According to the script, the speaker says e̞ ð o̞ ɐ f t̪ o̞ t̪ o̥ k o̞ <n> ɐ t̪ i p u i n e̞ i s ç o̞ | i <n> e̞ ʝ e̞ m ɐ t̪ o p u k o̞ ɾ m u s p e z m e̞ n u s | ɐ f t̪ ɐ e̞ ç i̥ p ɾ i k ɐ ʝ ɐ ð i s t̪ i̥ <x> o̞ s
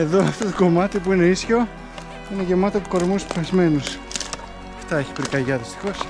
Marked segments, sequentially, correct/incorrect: incorrect, correct, correct

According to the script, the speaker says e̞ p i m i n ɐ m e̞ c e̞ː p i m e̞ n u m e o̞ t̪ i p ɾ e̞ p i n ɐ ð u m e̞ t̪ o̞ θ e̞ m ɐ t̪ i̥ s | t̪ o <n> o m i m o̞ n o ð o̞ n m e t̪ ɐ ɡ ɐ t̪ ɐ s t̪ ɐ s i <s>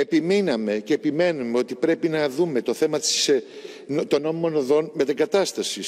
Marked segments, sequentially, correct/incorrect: correct, correct

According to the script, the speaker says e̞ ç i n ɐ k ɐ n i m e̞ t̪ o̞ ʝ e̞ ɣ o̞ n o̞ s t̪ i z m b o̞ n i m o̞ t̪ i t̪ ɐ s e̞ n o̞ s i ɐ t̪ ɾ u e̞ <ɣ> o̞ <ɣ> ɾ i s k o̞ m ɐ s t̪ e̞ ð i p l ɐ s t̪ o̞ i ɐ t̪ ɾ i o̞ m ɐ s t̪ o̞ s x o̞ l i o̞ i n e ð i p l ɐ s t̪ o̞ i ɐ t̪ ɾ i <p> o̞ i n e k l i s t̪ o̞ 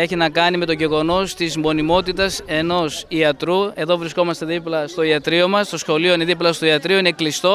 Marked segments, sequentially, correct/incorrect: incorrect, incorrect, incorrect

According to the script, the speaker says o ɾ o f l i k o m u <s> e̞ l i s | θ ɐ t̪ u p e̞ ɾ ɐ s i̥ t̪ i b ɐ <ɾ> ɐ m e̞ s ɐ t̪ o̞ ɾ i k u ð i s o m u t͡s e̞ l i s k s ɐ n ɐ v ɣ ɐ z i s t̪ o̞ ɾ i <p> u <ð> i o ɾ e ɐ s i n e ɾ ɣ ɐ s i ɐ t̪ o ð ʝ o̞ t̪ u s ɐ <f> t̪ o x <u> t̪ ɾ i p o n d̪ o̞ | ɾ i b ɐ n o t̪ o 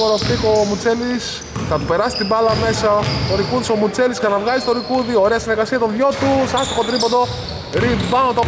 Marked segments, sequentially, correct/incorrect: incorrect, incorrect, incorrect, correct, incorrect, incorrect

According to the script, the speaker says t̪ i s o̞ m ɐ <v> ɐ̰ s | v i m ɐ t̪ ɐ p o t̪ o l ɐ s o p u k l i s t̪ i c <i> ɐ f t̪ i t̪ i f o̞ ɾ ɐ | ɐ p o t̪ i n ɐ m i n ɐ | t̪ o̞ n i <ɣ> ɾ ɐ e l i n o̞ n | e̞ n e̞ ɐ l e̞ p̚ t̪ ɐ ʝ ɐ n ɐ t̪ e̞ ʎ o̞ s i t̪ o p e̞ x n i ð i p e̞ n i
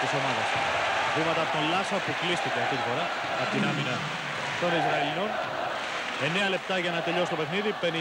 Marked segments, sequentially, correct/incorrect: incorrect, incorrect, incorrect

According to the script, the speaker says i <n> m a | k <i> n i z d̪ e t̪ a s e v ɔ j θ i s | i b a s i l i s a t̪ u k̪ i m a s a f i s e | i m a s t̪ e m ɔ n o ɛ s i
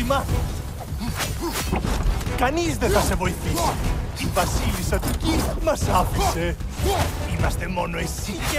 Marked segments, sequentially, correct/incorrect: incorrect, incorrect

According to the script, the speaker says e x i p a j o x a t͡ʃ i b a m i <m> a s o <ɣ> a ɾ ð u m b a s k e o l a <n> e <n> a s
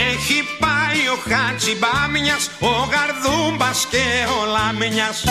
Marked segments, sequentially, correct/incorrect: incorrect, correct, incorrect, incorrect

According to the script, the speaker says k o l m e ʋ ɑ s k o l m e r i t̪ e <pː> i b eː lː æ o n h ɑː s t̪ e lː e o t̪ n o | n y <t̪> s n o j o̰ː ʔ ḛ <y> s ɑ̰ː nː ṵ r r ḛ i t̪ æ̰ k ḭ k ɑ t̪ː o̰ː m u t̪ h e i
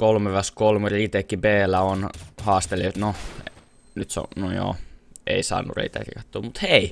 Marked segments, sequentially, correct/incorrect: incorrect, correct, incorrect

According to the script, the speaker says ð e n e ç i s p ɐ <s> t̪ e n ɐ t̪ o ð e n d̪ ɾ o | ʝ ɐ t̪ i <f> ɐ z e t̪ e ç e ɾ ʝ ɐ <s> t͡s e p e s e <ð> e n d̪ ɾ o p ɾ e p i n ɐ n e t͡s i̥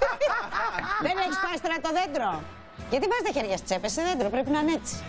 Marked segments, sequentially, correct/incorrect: correct, incorrect, correct, correct

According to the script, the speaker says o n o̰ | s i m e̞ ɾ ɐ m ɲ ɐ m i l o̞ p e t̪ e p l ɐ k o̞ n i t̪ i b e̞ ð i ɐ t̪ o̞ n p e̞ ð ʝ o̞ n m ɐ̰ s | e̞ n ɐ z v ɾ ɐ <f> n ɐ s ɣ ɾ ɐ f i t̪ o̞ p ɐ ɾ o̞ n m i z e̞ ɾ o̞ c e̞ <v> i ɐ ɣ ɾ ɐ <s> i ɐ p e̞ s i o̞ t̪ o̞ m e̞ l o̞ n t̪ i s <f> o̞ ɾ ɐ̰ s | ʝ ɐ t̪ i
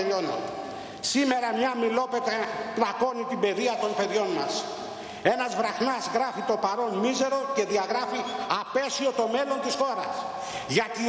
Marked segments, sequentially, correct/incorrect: incorrect, incorrect, incorrect, incorrect

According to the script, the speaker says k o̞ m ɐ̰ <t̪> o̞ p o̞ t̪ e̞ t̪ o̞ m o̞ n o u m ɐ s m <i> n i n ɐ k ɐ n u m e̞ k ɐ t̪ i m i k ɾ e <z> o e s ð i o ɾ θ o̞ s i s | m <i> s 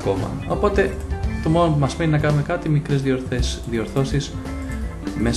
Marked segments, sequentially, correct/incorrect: incorrect, incorrect, correct, incorrect

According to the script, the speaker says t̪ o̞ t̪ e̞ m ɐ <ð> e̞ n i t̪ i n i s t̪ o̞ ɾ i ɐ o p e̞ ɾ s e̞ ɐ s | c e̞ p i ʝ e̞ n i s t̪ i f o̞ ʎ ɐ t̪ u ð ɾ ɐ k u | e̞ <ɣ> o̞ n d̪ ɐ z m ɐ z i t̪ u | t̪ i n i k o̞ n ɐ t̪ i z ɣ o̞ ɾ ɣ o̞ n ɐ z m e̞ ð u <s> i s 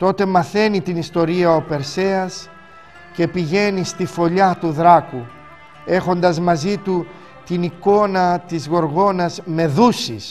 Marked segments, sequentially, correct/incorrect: incorrect, incorrect, correct

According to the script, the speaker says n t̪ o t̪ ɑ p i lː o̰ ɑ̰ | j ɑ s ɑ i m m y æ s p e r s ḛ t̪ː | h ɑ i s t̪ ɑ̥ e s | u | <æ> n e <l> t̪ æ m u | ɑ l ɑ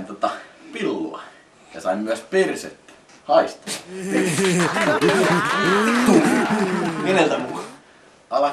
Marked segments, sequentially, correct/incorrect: incorrect, correct

